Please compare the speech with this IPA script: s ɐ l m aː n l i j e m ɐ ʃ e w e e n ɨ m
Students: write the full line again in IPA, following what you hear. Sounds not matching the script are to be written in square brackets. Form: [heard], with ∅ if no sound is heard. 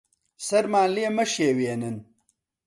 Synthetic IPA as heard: s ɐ [ɾ] m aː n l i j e m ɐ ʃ e w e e n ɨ [n]